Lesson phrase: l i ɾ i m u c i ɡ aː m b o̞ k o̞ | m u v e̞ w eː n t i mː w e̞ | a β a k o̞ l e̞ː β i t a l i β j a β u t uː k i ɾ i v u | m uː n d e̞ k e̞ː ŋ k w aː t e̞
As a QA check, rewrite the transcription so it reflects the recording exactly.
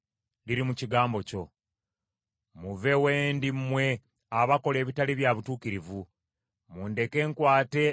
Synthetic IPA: l i ɾ i m u c i ɡ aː m b o̞ c o̞ | m u v e̞ w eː n d i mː w e̞ | a β a k o̞ l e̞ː β i t a l i β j a β u t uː k i ɾ i v u | m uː n d e̞ k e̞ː ŋ k w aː t e̞